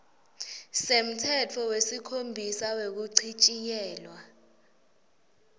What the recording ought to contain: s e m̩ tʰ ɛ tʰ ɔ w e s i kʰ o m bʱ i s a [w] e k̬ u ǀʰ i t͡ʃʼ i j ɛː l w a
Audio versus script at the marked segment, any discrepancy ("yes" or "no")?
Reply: no